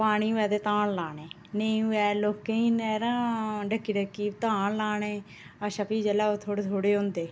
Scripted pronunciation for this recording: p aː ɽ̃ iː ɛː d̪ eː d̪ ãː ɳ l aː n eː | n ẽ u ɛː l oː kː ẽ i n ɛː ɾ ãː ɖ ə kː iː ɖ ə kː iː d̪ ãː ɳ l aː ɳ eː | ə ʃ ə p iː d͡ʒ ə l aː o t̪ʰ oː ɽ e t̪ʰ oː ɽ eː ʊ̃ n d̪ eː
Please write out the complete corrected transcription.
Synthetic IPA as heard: p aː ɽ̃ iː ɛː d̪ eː t̪ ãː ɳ l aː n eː | n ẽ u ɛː l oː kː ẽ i n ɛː ɾ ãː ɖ ə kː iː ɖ ə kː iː t̪ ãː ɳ l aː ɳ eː | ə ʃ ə p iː d͡ʒ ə l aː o t̪ʰ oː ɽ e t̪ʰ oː ɽ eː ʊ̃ n d̪ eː